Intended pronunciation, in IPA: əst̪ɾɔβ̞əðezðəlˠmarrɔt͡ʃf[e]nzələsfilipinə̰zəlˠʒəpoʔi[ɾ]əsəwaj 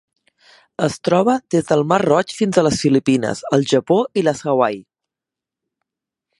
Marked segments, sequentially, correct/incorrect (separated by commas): incorrect, incorrect